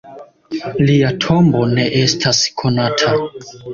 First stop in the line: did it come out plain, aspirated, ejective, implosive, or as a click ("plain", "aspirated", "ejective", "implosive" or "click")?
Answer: aspirated